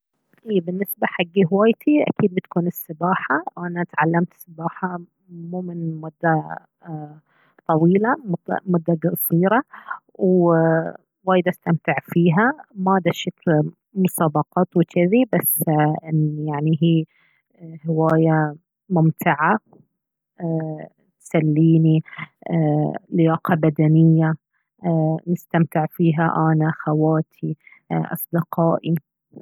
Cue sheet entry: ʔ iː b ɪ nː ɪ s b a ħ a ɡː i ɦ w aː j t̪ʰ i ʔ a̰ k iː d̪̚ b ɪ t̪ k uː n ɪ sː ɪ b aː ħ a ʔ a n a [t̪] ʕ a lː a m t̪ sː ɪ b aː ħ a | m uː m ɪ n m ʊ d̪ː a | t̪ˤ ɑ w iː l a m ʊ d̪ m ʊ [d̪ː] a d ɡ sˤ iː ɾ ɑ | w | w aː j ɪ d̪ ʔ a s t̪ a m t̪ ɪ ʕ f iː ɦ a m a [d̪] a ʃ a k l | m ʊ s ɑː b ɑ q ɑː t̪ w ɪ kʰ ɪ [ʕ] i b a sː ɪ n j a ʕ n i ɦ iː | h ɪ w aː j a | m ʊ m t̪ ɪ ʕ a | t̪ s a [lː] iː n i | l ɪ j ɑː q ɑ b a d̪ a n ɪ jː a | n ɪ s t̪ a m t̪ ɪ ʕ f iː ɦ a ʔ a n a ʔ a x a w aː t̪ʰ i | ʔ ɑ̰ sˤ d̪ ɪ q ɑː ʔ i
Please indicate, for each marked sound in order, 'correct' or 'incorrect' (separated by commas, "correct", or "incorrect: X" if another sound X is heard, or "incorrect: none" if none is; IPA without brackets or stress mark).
correct, correct, correct, incorrect: ð, correct